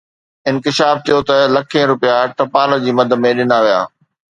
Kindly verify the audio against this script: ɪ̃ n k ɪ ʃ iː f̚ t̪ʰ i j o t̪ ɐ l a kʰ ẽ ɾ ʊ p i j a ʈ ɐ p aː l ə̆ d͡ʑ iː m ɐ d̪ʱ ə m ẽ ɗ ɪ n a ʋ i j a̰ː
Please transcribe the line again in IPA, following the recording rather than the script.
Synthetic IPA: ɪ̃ n k ɪ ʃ aː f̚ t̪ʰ i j o t̪ ɐ l ɐ kʰ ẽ ɾ ʊ p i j a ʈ ɐ p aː l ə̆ d͡ʑ iː m ɐ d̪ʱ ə m ẽ ɗ ɪ n a ʋ i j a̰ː